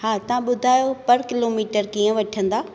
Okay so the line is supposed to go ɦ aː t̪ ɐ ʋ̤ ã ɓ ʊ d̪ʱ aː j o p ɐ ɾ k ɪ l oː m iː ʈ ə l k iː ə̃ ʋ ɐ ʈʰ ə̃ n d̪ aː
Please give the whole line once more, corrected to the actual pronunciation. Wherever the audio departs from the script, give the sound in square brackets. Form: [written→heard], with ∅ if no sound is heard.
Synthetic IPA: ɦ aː t̪ ɐ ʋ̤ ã ɓ ʊ d̪ʱ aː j o p ɐ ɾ k ɪ l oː m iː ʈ ə [l→ɾ] k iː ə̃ ʋ ɐ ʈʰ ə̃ n d̪ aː

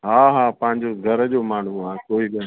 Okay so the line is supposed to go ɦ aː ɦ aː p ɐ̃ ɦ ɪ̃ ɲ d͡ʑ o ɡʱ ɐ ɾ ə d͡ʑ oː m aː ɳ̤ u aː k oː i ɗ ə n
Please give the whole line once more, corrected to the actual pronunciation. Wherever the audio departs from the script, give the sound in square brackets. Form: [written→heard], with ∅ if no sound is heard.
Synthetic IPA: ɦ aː ɦ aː p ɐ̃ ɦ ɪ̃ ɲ d͡ʑ o ɡʱ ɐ ɾ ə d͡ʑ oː m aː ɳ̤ u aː k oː i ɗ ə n

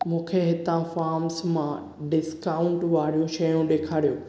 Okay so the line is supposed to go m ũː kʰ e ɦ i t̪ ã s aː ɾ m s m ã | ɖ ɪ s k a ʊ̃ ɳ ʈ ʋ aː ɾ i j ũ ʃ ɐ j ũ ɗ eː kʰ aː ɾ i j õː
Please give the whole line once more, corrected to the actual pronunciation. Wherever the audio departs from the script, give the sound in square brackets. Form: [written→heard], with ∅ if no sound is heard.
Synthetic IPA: m ũː kʰ e ɦ [i→ɪ] t̪ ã [s→f] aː ɾ m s m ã | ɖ ɪ s k a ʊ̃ ɳ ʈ ʋ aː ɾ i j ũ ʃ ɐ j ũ ɗ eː kʰ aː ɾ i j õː

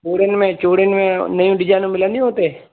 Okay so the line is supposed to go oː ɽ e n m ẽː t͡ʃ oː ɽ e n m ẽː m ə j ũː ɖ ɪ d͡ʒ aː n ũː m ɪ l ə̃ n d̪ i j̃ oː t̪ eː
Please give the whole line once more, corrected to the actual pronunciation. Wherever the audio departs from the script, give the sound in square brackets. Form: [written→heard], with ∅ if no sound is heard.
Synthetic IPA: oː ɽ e n m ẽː t͡ʃ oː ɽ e n m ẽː [m→n] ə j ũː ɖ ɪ d͡ʒ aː n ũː m ɪ l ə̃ n d̪ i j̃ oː t̪ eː

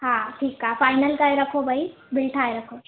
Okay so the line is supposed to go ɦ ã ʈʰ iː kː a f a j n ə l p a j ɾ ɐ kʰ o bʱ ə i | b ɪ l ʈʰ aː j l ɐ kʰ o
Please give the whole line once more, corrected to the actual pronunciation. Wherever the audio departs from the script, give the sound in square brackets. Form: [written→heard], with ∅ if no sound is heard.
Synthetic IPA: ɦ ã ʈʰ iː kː a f a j n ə l [p→k] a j ɾ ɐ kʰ o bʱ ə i | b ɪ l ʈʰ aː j [l→ɾ] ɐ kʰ o

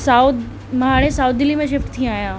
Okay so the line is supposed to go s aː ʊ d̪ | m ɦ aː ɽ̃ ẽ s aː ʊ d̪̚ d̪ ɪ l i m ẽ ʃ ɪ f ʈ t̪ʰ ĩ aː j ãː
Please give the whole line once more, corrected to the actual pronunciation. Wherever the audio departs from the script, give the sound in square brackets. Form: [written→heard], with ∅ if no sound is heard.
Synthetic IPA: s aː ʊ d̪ | m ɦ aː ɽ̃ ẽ s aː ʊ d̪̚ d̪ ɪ l i m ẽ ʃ ɪ f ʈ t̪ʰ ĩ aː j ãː

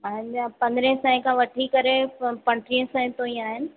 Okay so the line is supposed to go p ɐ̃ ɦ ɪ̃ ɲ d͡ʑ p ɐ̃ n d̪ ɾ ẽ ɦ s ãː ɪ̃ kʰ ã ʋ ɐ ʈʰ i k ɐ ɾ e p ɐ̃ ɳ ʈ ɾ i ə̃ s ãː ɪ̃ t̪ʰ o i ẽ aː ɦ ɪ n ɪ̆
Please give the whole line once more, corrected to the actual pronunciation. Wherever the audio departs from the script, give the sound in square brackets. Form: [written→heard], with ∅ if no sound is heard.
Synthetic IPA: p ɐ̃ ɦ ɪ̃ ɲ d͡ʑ p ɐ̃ n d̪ ɾ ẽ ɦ s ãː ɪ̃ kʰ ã ʋ ɐ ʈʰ i k ɐ ɾ e p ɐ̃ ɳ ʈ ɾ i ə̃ s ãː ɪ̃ [t̪ʰ→t̪] o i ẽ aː ɦ ɪ n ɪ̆

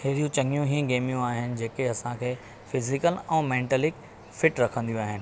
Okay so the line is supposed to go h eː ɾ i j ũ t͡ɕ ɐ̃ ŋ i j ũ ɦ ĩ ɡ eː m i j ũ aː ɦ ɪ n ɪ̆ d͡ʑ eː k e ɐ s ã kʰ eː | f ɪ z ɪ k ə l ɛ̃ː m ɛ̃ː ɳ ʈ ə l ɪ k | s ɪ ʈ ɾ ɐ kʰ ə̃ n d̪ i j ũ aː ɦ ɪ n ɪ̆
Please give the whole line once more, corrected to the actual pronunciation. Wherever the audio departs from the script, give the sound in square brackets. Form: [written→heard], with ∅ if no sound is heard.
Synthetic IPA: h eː ɾ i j ũ t͡ɕ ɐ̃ ŋ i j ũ ɦ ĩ ɡ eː m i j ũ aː ɦ ɪ n ɪ̆ d͡ʑ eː k e ɐ s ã kʰ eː | f ɪ z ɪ k ə l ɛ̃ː m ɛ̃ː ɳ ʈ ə l ɪ k | [s→f] ɪ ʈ ɾ ɐ kʰ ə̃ n d̪ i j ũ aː ɦ ɪ n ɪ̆

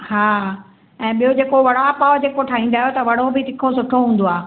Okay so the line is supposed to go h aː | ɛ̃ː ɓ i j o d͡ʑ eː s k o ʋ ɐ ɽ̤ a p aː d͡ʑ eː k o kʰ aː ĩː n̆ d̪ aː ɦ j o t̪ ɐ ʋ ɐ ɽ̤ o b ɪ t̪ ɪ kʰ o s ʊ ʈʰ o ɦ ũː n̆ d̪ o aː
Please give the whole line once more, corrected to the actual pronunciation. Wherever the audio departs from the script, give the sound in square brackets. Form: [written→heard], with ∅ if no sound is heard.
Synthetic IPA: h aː | ɛ̃ː ɓ i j o d͡ʑ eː [s→∅] k o ʋ ɐ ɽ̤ a p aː d͡ʑ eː k o [kʰ→ʈʰ] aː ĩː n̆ d̪ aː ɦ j o t̪ ɐ ʋ ɐ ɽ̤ o b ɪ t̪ ɪ kʰ o s ʊ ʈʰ o ɦ ũː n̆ d̪ o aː

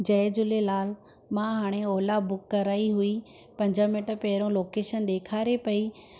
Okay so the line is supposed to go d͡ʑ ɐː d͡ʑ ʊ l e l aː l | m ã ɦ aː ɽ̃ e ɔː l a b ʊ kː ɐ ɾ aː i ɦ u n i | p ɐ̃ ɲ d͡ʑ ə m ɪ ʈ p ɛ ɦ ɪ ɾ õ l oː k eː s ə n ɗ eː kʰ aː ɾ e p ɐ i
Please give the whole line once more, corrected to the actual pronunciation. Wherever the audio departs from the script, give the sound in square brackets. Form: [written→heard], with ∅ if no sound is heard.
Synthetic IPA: d͡ʑ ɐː d͡ʑ ʊ l e l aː l | m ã ɦ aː ɽ̃ e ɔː l a b ʊ kː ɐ ɾ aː i ɦ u [n→∅] i | p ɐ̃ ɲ d͡ʑ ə m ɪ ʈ p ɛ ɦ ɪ ɾ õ l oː k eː [s→ʃ] ə n ɗ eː kʰ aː ɾ e p ɐ i

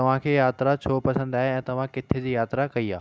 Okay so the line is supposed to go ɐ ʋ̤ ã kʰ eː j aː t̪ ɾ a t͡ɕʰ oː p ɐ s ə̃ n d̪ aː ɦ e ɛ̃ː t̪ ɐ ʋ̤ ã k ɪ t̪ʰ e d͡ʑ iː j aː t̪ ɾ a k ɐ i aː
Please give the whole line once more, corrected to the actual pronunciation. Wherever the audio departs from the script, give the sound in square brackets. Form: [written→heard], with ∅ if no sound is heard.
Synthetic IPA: ɐ ʋ̤ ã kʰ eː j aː t̪ ɾ a t͡ɕʰ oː p ɐ s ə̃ n d̪ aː ɦ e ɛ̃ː t̪ ɐ ʋ̤ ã k ɪ t̪ʰ e d͡ʑ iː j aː t̪ ɾ a k ɐ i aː

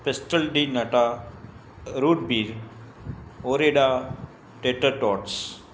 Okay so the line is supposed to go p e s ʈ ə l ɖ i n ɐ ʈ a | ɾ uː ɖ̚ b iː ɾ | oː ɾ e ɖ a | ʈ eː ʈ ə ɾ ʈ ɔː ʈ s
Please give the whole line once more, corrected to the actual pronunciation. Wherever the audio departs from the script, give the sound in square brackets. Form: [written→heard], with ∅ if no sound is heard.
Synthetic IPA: p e s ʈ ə l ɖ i n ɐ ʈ a | ɾ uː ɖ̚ b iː ɾ | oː ɾ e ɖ a | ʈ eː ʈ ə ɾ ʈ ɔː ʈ s

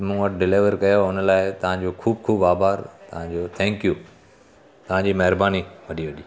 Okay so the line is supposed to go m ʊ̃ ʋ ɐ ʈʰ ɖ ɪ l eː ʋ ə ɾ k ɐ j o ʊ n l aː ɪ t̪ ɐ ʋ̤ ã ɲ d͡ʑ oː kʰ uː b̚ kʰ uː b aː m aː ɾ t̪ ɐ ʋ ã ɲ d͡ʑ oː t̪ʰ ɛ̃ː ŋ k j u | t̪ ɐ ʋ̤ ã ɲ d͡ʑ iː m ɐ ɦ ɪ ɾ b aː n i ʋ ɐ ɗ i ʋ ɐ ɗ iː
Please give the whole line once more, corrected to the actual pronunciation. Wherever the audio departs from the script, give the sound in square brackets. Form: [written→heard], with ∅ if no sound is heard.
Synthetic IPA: m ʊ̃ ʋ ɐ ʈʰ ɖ ɪ l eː ʋ ə ɾ k ɐ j o ʊ n l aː ɪ t̪ ɐ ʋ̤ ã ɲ d͡ʑ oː kʰ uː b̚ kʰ uː b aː [m→b] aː ɾ t̪ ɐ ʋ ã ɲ d͡ʑ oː t̪ʰ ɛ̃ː ŋ k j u | t̪ ɐ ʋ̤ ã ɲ d͡ʑ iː m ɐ ɦ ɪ ɾ b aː n i ʋ ɐ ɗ i ʋ ɐ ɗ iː

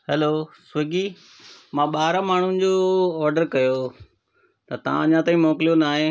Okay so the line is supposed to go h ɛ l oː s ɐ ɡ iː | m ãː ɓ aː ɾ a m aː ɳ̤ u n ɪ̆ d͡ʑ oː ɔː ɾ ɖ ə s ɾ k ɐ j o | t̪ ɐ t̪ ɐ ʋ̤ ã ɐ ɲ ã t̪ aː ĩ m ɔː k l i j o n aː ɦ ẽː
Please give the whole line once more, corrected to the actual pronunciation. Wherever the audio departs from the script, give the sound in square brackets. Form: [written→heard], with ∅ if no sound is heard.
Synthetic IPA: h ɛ l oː s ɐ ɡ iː | m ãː ɓ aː ɾ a m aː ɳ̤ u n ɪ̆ d͡ʑ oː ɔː ɾ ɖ ə [s→∅] ɾ k ɐ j o | t̪ ɐ t̪ ɐ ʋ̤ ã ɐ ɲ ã t̪ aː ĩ m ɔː k l i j o n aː ɦ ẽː

